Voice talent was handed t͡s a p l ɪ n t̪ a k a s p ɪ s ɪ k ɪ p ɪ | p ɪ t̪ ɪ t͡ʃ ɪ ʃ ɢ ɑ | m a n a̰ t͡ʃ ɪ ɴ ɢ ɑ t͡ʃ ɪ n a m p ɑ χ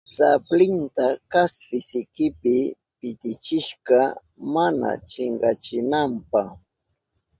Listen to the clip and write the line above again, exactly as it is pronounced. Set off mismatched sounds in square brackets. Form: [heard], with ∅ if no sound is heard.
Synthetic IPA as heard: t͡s a p l ɪ n t̪ a k a s p ɪ s ɪ k ɪ p ɪ | p ɪ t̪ ɪ t͡ʃ ɪ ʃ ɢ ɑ | m a n a̰ t͡ʃ ɪ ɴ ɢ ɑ t͡ʃ ɪ n a m p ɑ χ